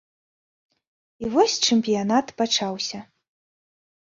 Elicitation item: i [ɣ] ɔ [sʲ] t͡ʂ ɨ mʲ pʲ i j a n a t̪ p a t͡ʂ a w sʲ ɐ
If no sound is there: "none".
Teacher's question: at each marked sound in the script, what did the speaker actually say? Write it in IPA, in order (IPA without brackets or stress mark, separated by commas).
v, sʲ